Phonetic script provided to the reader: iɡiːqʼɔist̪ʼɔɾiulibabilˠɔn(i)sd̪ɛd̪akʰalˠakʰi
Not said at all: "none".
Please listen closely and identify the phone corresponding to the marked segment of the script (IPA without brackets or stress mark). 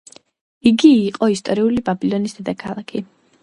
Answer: i